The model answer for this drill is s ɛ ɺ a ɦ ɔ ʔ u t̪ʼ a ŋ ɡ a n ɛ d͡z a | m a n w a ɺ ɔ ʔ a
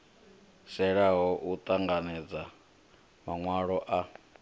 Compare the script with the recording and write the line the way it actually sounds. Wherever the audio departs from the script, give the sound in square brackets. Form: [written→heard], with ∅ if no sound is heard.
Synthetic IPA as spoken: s ɛ ɺ a ɦ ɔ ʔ u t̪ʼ a ŋ ɡ a n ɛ d͡z a | m a [n→ŋ] w a ɺ ɔ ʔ a